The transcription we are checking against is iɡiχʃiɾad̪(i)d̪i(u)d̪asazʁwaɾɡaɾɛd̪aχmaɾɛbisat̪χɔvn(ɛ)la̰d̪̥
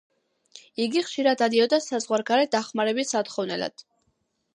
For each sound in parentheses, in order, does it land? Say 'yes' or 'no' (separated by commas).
no, no, yes